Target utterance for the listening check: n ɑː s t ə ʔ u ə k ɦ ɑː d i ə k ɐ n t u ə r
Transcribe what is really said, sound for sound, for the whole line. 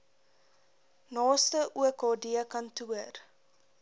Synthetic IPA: n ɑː s t ə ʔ u ə k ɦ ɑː d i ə k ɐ n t u ə r